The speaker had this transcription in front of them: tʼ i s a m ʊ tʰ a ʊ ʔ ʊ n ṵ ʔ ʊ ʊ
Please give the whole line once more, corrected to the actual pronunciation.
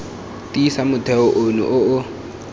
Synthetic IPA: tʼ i s a m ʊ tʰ ɛ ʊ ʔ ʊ n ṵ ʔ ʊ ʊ